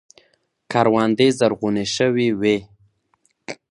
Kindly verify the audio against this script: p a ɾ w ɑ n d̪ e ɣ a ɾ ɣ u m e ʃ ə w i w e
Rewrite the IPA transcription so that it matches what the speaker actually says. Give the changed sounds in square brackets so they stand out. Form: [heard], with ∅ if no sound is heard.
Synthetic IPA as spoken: [k] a ɾ w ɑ n d̪ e [z] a ɾ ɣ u [n] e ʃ ə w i w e

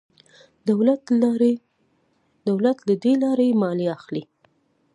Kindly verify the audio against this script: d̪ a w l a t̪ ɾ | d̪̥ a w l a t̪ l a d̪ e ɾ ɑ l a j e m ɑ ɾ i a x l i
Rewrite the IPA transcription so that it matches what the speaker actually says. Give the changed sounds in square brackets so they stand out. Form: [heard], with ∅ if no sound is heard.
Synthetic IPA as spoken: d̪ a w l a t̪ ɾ | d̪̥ a w l a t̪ l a d̪ e [l] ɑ [ɾ] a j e m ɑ [l] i a x l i

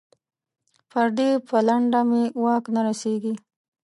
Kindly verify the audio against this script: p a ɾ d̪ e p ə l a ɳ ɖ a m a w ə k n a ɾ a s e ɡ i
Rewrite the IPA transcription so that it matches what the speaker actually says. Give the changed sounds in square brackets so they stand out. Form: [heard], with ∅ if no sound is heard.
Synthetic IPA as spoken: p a ɾ d̪ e p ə l a ɳ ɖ a m [e] w [ɑ] k n a ɾ a s e ɡ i

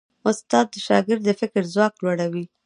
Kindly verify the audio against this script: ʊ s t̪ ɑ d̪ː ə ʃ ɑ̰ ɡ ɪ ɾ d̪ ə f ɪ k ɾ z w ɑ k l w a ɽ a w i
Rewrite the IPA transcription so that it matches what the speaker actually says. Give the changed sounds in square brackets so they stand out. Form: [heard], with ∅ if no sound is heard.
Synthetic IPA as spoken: ʊ s t̪ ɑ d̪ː ə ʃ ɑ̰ ɡ ɪ ɾ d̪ ə f ɪ k ɾ z w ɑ k l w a ɽ a w i

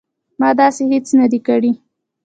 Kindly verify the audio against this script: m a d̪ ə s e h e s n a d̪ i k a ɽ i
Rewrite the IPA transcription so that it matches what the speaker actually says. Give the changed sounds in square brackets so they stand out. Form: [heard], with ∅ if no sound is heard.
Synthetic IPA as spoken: m [ɑ] d̪ [ɑ] s e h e [t͡s] n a d̪ i k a ɽ i

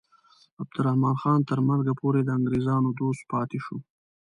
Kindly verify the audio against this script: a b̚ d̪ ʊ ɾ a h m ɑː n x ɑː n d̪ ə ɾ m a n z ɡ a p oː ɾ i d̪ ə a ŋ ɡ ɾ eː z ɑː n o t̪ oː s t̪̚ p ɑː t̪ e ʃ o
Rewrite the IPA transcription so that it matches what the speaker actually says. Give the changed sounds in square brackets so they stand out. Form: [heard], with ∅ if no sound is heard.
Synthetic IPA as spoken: a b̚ d̪ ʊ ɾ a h m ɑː n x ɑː n [t̪] ə ɾ m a n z ɡ a p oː ɾ [e] d̪ ə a ŋ ɡ ɾ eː z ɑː n o [d̪] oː s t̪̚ p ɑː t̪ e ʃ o

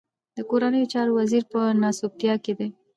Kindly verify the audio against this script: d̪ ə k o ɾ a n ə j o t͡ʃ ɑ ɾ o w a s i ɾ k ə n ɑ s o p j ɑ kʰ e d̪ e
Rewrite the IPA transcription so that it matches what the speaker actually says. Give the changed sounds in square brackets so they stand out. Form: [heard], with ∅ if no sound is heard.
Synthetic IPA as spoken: d̪ ə k o ɾ a n ə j o t͡ʃ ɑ ɾ o w a [z] i ɾ [p] ə n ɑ s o p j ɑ [k] e d̪ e

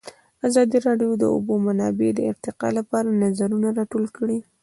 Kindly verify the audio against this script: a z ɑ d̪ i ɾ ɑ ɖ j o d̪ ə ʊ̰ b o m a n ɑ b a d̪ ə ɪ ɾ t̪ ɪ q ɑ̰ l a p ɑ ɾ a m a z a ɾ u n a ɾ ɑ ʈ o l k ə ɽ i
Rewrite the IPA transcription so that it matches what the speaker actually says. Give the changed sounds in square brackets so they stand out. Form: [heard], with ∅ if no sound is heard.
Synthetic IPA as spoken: a z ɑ d̪ i ɾ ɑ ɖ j o d̪ ə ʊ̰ b o m a n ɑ b [e] d̪ ə ɪ ɾ t̪ ɪ q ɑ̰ l a p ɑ ɾ a [n] a z a ɾ u n a ɾ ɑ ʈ o l k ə ɽ i

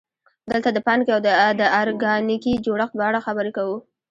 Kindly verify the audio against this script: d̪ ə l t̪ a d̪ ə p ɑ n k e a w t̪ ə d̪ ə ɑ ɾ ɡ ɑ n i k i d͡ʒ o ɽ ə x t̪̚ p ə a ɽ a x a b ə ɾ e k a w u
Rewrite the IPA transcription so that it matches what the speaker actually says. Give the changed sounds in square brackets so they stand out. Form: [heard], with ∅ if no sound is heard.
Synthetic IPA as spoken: d̪ ə l t̪ a d̪ ə p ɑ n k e a w [d̪] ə d̪ ə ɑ ɾ ɡ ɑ n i k i d͡ʒ o ɽ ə x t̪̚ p ə a ɽ a x a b ə ɾ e k a w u

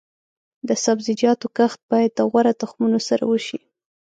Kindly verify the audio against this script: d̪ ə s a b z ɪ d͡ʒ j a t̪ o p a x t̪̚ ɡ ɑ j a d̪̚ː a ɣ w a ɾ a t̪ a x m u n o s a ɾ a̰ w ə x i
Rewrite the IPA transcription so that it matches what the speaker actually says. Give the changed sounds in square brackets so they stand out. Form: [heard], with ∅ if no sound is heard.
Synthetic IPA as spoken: d̪ ə s a b z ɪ d͡ʒ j [ɑ] t̪ o [k] a x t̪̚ [b] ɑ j a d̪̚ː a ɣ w a ɾ a t̪ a x m u n o s a ɾ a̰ w ə [ʃ] i

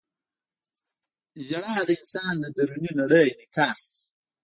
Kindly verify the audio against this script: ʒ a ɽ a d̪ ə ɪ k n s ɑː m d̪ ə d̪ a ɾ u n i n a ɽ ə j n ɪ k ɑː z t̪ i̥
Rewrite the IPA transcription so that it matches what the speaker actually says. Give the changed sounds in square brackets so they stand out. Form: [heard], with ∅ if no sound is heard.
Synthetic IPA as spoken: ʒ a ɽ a d̪ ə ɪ [∅] n s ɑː [n] d̪ ə d̪ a ɾ u n i n a ɽ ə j n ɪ k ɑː [s] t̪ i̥

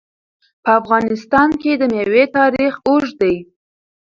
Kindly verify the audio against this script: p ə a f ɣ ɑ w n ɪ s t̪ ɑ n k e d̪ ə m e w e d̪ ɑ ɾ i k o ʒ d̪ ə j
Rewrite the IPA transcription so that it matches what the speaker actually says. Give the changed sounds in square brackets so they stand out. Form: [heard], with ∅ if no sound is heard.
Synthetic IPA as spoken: p ə a f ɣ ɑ [∅] n ɪ s t̪ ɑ n k e d̪ ə m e w e [t̪] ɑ ɾ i [x] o ʒ d̪ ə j

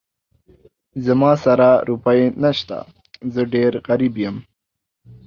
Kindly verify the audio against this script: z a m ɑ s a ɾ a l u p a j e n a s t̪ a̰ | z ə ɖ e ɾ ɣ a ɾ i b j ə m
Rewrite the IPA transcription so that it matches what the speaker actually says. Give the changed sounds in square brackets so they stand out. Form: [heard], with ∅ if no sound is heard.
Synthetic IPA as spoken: z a m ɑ s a ɾ a [ɾ] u p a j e n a [ʃ] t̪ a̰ | z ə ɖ e ɾ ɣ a ɾ i b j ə m

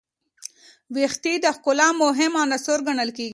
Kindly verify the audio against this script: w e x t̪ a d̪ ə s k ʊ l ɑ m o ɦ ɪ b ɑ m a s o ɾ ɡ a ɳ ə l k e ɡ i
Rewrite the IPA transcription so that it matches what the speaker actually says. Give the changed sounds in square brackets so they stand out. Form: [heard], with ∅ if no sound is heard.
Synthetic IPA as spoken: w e x t̪ [i] d̪ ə [x] k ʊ l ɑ m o ɦ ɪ [m] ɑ [n] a s o ɾ ɡ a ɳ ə l k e ɡ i

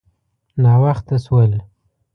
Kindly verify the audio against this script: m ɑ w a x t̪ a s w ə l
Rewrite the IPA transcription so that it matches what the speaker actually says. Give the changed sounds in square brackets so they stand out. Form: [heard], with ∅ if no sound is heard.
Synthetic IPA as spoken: [n] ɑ w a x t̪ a s w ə l

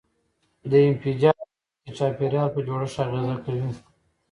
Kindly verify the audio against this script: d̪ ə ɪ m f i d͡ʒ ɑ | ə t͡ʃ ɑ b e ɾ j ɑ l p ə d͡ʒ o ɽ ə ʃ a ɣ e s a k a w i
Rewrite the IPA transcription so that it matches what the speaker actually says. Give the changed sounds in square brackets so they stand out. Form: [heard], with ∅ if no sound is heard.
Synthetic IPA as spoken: d̪ ə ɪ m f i d͡ʒ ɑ | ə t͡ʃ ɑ [p] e ɾ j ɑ l p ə d͡ʒ o ɽ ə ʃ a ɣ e [z] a k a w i

